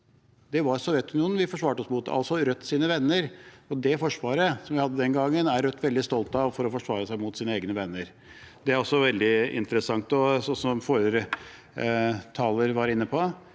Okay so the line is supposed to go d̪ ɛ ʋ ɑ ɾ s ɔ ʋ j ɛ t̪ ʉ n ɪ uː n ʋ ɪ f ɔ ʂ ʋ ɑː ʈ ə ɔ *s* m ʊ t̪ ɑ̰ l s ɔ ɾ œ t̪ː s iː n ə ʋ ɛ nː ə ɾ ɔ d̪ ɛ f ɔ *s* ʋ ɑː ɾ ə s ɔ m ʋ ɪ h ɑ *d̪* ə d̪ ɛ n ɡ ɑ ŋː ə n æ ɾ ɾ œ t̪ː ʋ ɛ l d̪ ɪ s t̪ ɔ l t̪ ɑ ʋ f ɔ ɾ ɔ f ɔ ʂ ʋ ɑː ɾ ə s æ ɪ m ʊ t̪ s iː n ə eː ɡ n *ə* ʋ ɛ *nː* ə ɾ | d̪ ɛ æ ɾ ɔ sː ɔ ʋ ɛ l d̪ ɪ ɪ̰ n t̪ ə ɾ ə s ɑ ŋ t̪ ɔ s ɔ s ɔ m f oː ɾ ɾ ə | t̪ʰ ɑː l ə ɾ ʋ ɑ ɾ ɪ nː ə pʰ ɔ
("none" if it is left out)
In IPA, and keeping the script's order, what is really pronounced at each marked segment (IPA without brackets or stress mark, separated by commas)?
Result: s, ʂ, d̪ː, ə, nː